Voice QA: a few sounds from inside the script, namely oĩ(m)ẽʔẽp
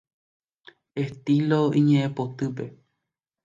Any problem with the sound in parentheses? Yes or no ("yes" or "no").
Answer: yes